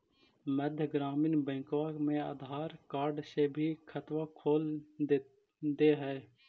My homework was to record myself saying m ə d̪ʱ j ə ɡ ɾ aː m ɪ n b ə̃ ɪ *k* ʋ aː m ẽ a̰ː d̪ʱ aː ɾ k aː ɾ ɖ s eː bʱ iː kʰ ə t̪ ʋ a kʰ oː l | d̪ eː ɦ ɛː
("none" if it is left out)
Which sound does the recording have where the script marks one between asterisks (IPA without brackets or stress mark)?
k